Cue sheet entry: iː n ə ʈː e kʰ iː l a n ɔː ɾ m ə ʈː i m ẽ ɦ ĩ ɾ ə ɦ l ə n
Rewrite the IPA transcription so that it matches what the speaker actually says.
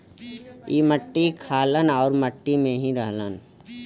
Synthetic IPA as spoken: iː m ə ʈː i kʰ aː l ə n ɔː ɾ m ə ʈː i m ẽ ɦ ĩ ɾ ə ɦ l ə n